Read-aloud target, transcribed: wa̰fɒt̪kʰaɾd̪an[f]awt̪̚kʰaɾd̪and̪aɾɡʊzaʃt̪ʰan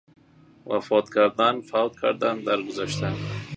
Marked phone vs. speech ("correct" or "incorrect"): correct